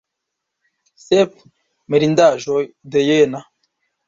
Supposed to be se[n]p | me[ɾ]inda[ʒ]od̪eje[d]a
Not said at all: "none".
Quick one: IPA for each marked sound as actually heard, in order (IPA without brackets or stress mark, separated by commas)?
none, ɾ, ʒ, n